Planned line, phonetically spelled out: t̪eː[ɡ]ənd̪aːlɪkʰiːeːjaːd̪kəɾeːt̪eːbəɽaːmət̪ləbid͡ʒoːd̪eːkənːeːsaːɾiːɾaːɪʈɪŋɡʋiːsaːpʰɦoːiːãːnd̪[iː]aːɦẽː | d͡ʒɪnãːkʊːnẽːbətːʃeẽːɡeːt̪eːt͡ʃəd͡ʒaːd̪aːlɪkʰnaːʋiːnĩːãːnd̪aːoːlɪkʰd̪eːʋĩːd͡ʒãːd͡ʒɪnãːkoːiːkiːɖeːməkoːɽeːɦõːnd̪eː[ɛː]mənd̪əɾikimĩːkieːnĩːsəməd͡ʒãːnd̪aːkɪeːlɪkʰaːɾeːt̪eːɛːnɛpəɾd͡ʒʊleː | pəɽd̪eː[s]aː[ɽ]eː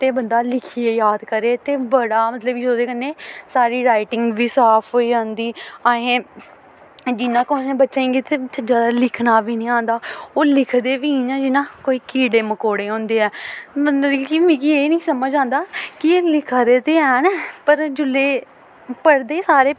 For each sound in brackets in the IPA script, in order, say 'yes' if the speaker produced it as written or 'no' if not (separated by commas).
no, yes, yes, yes, no